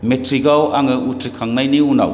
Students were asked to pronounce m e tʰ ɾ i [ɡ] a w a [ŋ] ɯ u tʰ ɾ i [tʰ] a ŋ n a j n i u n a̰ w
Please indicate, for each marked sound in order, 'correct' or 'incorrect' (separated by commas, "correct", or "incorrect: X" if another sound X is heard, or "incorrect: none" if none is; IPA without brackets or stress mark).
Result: correct, correct, incorrect: kʰ